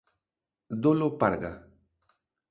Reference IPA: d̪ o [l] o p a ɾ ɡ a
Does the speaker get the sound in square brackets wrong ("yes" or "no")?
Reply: no